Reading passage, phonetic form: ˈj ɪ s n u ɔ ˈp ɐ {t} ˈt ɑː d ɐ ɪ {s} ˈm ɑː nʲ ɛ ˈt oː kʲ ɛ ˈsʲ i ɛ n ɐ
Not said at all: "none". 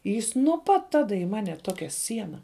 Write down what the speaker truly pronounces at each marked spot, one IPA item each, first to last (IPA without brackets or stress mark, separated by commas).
t, none